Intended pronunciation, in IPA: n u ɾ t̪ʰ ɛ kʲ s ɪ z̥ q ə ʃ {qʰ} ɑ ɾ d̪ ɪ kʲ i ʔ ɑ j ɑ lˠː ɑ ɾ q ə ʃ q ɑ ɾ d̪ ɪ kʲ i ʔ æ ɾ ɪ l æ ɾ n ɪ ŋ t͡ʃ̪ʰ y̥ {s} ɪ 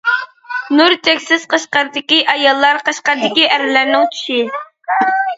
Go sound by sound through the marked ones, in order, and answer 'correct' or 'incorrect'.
incorrect: q, incorrect: ʃ

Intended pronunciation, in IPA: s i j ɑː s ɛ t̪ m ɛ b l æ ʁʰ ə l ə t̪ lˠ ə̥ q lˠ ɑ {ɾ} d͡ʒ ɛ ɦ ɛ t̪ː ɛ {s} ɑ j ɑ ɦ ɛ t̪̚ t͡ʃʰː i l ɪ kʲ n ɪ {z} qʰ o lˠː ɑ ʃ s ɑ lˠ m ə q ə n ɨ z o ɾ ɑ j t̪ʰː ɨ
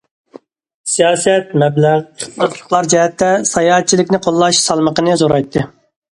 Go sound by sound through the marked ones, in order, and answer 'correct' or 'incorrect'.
correct, correct, incorrect: none

